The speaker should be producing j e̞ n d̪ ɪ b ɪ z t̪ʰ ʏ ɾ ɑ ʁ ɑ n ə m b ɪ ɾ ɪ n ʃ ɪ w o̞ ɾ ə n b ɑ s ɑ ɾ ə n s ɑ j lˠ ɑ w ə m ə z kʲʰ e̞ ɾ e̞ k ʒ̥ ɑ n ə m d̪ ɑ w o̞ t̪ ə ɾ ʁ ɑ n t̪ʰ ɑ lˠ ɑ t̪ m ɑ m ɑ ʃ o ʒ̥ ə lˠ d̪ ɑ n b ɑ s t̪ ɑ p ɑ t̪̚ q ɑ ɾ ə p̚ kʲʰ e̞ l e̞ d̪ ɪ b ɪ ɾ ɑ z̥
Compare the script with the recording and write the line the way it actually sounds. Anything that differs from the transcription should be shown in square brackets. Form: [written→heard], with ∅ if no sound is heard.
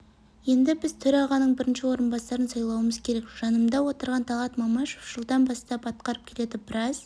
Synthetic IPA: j e̞ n d̪ ɪ b ɪ z t̪ʰ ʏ ɾ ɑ ʁ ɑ n ə [m→ɴ] b ɪ ɾ ɪ n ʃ ɪ w o̞ ɾ ə n b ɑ s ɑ ɾ ə n s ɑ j lˠ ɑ w ə m ə z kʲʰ e̞ ɾ e̞ k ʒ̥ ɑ n ə m d̪ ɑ w o̞ t̪ ə ɾ ʁ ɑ n t̪ʰ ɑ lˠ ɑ t̪ m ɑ m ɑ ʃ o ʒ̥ ə lˠ d̪ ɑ n b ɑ s t̪ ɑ p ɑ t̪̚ q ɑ ɾ ə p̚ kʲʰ e̞ l e̞ d̪ ɪ b ɪ ɾ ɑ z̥